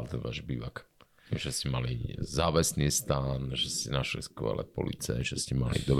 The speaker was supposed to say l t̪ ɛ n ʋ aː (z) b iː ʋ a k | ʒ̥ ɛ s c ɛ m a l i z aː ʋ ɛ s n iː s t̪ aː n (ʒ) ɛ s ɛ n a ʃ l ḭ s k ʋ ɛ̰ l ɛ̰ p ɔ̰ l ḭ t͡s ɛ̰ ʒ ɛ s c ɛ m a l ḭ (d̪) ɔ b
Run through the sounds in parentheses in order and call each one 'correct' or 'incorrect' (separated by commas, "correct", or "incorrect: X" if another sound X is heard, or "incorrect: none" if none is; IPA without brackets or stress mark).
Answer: incorrect: ʒ, correct, correct